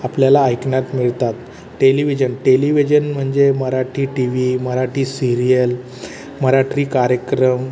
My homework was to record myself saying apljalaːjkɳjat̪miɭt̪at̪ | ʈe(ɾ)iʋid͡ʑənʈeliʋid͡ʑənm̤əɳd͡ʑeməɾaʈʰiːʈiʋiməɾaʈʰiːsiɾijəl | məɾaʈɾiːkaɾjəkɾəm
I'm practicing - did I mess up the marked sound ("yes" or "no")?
yes